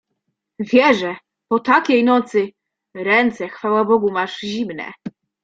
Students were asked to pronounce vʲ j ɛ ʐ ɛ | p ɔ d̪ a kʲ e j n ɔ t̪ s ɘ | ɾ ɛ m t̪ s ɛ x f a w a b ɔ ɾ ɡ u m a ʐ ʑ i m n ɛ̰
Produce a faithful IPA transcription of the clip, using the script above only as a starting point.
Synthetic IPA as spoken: vʲ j ɛ ʐ ɛ | p ɔ t̪ a kʲ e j n ɔ t̪ s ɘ | ɾ ɛ n t̪ s ɛ x f a w a b ɔ ɡ u m a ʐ ʑ i m n ɛ̰